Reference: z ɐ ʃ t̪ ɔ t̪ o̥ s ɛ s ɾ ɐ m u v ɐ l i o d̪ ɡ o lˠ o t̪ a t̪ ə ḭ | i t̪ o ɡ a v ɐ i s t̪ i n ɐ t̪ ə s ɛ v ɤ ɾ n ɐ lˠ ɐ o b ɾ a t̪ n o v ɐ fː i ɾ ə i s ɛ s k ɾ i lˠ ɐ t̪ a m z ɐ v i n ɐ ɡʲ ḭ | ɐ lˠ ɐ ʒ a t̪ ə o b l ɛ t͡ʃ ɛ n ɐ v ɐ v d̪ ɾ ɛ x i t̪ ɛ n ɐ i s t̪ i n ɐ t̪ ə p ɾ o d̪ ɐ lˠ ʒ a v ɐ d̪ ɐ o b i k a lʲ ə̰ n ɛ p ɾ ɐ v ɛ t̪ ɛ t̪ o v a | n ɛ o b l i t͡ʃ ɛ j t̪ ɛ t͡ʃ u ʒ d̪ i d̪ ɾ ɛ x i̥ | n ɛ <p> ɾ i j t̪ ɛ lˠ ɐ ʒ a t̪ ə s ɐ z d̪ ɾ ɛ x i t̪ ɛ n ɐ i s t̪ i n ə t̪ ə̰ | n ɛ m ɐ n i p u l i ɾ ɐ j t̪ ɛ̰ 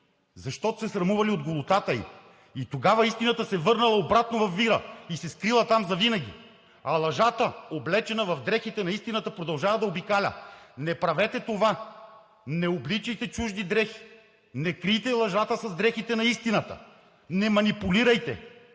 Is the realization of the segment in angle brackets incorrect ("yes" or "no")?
yes